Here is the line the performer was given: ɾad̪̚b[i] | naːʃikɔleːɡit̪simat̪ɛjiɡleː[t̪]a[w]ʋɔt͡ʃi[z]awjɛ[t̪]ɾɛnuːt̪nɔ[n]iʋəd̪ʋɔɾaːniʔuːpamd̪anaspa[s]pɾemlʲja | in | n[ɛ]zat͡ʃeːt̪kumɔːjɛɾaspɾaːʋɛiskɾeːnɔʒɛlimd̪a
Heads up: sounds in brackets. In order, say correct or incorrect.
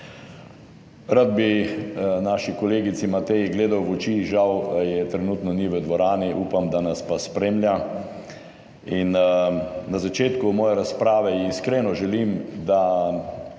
correct, incorrect: d̪, correct, incorrect: ʒ, correct, correct, correct, incorrect: a

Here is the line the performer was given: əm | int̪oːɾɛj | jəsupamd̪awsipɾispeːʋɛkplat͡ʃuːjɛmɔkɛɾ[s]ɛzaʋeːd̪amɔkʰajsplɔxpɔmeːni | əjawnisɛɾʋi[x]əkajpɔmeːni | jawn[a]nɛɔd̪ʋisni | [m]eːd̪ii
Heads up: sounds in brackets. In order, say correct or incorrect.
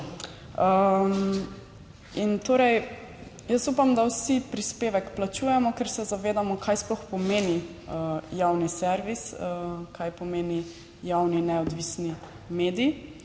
correct, incorrect: s, incorrect: i, correct

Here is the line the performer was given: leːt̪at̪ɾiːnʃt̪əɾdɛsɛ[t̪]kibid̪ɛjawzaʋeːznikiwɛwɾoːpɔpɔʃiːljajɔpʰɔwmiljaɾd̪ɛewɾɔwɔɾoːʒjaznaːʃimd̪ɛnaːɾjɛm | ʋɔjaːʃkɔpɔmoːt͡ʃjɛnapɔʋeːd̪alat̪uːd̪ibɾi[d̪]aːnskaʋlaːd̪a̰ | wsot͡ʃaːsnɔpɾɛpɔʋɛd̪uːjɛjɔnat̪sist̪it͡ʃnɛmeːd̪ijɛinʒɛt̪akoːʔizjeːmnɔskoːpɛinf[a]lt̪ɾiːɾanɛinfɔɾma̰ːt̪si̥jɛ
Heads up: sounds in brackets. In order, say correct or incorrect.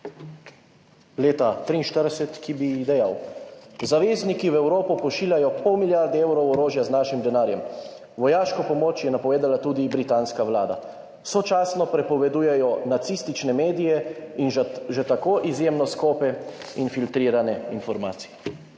correct, incorrect: t̪, incorrect: i

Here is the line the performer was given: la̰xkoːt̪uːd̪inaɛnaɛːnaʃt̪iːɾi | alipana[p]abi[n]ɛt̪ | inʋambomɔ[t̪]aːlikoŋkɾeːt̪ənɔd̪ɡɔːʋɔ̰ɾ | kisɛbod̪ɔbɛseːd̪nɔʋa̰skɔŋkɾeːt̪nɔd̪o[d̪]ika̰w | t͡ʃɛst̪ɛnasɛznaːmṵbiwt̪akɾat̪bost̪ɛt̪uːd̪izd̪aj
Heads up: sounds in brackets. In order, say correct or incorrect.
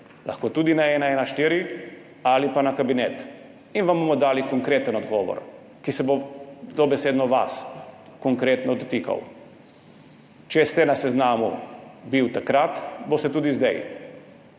incorrect: k, correct, incorrect: d̪, incorrect: t̪

